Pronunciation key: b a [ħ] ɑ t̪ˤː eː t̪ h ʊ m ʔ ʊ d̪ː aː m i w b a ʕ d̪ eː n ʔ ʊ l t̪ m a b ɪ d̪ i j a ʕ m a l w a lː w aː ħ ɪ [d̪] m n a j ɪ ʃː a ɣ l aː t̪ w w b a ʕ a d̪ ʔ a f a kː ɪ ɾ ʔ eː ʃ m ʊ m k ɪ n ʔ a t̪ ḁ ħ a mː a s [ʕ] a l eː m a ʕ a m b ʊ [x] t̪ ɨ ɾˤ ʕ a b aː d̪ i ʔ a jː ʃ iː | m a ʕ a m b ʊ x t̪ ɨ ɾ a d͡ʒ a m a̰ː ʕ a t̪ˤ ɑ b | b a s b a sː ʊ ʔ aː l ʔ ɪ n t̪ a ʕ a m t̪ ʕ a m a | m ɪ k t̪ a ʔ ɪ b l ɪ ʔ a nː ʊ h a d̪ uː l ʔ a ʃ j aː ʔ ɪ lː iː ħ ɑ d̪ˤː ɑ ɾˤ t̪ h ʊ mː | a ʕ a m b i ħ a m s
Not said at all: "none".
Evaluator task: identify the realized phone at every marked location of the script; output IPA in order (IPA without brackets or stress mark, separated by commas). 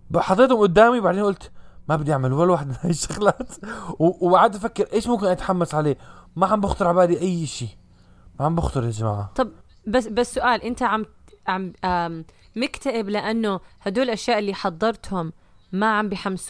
ħ, d̪, ʕ, x